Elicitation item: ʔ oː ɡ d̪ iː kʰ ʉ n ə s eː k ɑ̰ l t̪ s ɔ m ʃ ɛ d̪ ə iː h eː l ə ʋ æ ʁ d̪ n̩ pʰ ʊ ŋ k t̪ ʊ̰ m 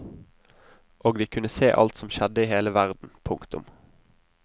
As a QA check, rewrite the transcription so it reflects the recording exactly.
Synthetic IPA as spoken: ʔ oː ɡ d̪ iː kʰ ʉ n ə s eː ʔ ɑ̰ l t̪ s ɔ m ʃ ɛ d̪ ə iː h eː l ə ʋ æ ʁ d̪ n̩ pʰ ʊ ŋ k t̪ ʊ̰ m